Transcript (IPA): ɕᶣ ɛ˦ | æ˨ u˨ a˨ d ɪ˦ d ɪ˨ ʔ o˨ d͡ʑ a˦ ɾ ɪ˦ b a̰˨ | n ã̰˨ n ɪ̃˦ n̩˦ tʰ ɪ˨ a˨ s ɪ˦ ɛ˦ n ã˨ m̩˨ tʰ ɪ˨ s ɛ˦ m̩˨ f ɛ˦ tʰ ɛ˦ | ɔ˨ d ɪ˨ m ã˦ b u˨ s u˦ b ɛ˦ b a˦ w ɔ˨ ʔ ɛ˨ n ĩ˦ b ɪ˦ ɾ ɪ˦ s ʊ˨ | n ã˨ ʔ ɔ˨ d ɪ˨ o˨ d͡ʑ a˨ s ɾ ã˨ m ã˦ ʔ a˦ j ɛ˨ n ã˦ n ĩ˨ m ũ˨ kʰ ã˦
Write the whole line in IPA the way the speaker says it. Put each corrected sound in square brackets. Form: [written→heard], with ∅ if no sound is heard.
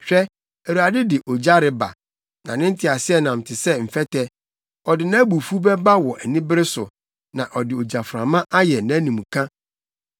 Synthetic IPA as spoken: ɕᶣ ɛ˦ | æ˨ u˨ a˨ d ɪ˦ d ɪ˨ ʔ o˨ d͡ʑ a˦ ɾ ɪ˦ b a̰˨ | n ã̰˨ n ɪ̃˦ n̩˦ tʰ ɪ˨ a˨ s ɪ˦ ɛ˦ n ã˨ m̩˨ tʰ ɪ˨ s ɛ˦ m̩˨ f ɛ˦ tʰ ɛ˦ | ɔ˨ d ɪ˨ [m→n] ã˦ b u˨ [s→f] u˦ b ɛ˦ b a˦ w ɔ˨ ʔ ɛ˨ n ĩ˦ b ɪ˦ ɾ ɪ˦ s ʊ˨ | n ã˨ ʔ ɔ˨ d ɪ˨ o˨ d͡ʑ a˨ [s→f] ɾ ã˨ m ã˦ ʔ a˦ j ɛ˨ n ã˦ n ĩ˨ m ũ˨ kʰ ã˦

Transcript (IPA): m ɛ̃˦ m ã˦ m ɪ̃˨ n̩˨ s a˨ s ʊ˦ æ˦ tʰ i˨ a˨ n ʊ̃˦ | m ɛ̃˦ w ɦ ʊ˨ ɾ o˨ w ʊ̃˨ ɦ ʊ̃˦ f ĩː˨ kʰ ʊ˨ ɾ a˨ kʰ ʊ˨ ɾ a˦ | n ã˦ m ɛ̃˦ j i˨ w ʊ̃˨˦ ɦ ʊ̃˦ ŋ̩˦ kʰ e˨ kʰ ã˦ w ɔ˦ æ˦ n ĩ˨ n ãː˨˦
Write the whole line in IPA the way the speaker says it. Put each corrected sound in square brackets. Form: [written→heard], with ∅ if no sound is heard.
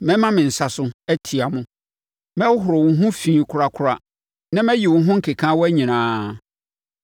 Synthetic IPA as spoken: m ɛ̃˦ m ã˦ m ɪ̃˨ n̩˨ s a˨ s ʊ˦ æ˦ tʰ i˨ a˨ [n→m] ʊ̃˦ | m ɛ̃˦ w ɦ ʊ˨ ɾ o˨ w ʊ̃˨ ɦ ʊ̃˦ f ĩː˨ kʰ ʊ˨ ɾ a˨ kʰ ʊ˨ ɾ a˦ | n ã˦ m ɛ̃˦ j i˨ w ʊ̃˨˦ ɦ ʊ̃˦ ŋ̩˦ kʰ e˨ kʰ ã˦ w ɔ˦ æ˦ [n→ɲ] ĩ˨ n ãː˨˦

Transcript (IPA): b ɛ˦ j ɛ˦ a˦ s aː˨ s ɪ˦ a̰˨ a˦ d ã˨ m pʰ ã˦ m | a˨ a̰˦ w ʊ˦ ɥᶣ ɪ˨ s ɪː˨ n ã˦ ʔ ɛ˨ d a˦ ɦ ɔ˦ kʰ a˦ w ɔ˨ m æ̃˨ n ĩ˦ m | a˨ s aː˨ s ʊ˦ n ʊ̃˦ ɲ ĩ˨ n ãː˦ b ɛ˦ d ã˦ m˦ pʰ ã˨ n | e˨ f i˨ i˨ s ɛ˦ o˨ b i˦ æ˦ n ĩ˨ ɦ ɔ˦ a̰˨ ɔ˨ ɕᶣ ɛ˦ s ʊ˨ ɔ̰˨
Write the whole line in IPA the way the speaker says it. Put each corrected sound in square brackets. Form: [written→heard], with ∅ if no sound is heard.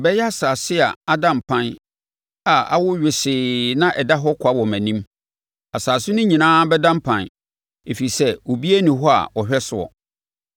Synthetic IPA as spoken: b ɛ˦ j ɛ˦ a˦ s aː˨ s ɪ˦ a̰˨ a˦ d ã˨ m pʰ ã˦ [m→n] | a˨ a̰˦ w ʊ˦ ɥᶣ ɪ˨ s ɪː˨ n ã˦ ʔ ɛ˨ d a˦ ɦ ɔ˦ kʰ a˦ w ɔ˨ m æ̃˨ n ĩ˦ m | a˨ s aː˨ s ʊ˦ n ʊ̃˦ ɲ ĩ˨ n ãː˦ b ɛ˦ d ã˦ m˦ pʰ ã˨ n | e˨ f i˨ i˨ s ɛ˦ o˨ b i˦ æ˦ n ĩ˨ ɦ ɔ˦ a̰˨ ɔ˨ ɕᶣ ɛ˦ s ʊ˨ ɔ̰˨

